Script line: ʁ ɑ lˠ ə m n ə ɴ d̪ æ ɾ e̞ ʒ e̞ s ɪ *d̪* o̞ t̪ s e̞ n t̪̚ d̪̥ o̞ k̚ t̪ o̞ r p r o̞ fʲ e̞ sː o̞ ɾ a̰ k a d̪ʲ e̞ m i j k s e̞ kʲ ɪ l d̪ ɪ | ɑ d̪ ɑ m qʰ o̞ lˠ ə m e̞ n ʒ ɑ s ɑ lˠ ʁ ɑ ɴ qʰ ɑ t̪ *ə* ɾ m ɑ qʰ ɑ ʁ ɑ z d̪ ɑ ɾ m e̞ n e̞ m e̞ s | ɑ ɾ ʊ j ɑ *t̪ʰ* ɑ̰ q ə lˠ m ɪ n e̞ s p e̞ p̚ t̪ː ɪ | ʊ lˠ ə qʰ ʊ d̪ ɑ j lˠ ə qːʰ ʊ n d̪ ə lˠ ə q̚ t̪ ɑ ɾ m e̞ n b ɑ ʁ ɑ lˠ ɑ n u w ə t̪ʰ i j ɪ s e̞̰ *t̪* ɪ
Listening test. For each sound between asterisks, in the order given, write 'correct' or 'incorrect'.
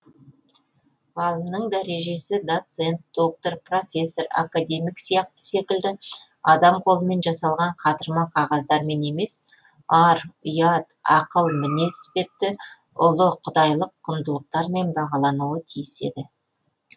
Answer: correct, correct, incorrect, incorrect

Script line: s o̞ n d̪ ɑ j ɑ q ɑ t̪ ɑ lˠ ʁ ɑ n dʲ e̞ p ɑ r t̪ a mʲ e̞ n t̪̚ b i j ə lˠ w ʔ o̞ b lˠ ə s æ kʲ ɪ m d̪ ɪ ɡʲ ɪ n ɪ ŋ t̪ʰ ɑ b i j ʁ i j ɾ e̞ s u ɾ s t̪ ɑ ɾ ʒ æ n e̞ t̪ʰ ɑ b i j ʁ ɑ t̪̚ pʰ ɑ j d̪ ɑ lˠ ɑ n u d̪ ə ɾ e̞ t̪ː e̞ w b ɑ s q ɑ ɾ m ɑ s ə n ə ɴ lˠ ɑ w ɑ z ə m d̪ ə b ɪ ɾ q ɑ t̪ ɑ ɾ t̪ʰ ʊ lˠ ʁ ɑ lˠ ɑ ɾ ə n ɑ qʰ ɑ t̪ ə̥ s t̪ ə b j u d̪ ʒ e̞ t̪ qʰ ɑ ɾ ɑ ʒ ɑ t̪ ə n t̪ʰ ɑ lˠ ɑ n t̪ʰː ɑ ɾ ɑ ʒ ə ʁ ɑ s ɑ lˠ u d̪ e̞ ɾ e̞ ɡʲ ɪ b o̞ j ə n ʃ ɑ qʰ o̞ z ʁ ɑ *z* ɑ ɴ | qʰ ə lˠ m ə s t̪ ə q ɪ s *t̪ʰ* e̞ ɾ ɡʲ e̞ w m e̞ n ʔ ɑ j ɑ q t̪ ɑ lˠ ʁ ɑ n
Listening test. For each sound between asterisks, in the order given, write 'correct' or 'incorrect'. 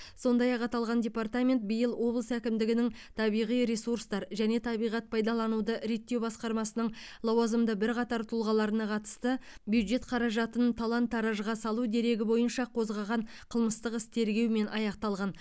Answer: incorrect, correct

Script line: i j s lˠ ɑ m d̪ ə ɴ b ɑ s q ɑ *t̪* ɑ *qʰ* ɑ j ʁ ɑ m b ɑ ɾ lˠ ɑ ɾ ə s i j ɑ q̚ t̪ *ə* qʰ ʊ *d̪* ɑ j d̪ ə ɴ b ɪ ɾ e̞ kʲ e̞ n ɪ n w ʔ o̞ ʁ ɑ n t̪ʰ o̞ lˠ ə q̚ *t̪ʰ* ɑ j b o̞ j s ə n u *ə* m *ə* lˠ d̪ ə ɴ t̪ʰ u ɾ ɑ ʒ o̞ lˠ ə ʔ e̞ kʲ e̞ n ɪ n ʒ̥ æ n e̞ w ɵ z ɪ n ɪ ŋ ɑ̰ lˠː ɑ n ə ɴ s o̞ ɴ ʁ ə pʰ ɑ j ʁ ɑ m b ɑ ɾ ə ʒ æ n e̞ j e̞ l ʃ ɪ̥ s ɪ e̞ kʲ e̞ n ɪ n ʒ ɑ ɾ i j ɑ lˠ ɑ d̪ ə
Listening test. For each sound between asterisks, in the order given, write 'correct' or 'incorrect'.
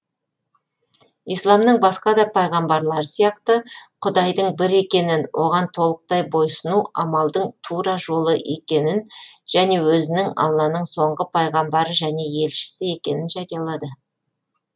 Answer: incorrect, incorrect, correct, correct, incorrect, incorrect, incorrect

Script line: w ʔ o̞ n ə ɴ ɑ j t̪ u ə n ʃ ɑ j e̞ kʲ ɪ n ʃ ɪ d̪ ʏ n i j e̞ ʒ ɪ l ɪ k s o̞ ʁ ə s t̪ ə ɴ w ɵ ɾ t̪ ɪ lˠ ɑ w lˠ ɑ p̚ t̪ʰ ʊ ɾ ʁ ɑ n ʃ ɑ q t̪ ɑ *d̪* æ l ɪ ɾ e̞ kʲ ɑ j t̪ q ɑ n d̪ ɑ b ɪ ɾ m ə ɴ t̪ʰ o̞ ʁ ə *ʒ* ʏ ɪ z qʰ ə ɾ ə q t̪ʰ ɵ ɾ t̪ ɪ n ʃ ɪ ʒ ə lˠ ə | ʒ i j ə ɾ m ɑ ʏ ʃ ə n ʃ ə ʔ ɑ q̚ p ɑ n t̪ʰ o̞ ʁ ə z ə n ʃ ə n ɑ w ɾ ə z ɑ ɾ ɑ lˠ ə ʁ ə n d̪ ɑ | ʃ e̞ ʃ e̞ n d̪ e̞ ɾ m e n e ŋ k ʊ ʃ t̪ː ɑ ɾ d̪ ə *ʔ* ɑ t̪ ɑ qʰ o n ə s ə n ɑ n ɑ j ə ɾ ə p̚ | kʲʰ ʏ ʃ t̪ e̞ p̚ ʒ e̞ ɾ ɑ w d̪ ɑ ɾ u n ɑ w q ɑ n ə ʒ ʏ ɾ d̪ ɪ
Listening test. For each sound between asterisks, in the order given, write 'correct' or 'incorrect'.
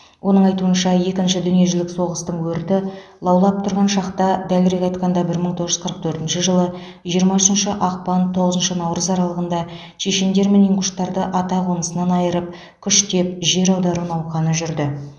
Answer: correct, correct, correct

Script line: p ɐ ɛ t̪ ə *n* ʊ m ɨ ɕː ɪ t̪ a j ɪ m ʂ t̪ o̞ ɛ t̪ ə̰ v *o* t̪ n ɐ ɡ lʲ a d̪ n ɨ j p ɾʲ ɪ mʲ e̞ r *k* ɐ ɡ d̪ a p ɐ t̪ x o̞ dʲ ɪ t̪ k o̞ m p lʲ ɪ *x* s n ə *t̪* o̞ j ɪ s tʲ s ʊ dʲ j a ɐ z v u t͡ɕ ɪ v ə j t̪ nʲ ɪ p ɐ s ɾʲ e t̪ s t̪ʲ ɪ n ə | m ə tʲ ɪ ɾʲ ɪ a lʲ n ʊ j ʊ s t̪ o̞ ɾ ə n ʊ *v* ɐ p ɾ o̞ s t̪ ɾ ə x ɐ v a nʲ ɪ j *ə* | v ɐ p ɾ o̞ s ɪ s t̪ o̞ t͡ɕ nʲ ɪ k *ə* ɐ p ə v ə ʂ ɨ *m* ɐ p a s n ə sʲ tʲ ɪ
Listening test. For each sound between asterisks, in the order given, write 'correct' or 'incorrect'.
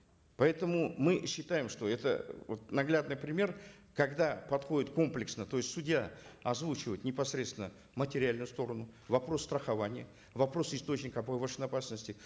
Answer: incorrect, correct, correct, incorrect, correct, correct, correct, correct, incorrect

